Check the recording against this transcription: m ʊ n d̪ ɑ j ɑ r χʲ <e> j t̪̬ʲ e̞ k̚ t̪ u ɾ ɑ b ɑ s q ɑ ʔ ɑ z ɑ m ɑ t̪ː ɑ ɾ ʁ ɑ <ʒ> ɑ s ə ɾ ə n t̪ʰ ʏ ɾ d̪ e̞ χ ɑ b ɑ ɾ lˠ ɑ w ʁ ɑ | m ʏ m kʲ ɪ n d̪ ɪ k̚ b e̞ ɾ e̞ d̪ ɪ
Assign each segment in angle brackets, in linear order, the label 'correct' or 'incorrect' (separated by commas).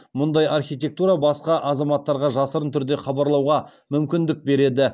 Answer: incorrect, correct